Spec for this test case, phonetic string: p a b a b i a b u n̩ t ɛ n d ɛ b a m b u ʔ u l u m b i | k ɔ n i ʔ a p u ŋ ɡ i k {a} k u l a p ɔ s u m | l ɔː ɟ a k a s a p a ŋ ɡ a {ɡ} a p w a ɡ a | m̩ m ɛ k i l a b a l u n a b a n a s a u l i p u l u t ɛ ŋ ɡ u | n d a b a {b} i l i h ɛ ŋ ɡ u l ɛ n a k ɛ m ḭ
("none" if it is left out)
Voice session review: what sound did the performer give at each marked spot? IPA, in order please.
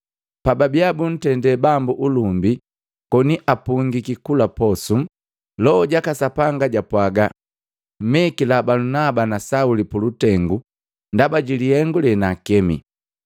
i, ɟ, ɟ

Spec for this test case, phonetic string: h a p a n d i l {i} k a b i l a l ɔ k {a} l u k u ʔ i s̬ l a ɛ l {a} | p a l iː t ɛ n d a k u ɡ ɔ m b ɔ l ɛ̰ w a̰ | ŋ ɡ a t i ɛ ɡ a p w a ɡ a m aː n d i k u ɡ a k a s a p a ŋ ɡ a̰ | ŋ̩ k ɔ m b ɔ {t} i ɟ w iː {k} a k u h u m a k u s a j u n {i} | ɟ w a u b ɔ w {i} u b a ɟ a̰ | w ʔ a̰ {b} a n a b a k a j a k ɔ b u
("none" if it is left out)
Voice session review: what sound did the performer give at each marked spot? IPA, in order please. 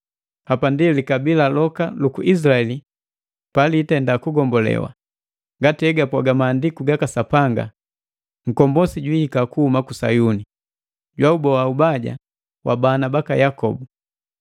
i, a, i, s, k, i, a, b

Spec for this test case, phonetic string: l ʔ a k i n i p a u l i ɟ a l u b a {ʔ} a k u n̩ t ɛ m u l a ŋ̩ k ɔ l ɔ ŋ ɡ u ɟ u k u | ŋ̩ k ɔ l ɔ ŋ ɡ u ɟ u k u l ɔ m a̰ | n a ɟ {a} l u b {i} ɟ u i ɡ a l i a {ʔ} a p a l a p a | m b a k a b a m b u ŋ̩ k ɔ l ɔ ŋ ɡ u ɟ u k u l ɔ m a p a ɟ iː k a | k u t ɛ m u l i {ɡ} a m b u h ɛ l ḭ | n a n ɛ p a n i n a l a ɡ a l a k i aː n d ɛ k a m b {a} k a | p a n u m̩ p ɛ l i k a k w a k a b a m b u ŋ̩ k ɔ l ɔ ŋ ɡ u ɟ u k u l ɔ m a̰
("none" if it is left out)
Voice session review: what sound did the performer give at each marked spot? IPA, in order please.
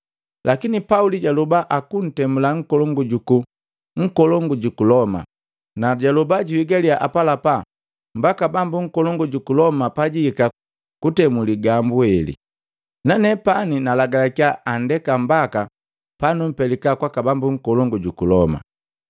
ʔ, a, a, ʔ, ɡ, a

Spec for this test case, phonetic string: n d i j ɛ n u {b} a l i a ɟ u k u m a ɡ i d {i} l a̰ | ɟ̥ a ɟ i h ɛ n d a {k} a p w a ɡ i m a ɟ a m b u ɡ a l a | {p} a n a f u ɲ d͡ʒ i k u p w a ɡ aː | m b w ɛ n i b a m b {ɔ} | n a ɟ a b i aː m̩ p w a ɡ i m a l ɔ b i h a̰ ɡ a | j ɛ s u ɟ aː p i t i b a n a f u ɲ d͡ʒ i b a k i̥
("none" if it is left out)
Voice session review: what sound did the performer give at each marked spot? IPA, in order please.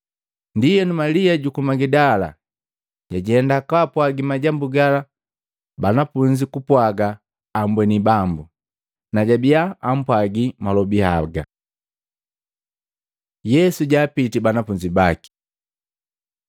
m, a, k, b, u

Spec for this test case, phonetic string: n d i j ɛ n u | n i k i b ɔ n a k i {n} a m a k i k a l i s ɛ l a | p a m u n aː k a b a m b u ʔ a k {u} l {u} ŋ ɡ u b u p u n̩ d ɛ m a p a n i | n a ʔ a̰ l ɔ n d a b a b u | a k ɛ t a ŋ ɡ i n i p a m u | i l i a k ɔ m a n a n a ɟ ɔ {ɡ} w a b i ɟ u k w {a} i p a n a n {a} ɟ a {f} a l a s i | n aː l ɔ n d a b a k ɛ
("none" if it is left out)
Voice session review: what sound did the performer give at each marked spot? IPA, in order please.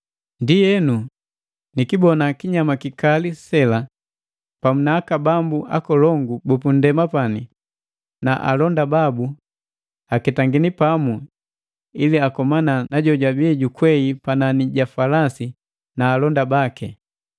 ɲ, ɔ, ɔ, ɟ, ɛ, i, f

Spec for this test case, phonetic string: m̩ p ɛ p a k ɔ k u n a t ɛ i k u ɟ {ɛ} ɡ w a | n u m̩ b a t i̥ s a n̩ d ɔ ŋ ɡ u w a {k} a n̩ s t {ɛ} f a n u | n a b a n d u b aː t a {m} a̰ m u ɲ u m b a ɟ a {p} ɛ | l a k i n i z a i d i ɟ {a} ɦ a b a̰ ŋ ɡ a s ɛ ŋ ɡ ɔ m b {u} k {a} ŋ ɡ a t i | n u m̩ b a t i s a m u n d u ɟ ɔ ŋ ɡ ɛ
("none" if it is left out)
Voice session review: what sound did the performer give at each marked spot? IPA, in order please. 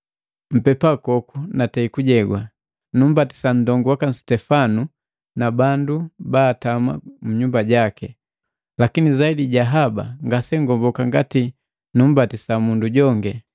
ɛ, k, ɛ, m, k, a, ɔ, a

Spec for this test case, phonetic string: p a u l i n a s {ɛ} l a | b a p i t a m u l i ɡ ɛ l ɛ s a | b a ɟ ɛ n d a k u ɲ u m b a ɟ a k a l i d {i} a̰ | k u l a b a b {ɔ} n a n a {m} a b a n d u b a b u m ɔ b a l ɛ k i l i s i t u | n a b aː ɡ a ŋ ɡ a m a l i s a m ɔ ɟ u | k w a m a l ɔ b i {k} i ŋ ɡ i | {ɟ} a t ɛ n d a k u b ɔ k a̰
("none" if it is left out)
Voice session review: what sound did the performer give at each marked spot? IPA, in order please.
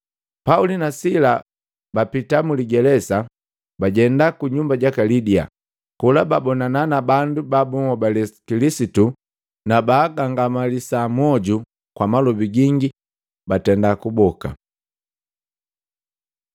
i, i, ɔ, n, ɡ, b

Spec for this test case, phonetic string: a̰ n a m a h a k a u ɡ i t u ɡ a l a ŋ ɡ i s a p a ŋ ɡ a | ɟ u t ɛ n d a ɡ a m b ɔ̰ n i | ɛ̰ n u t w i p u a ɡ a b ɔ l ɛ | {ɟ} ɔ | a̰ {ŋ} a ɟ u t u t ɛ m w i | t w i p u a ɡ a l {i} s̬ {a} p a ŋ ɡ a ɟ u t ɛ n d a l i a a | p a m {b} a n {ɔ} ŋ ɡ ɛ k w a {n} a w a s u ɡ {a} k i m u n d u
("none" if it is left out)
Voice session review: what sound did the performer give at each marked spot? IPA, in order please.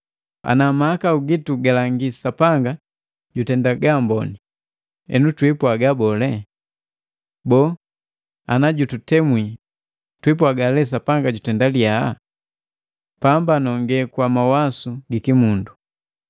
b, n, ɛ, a, b, ɔ, m, i

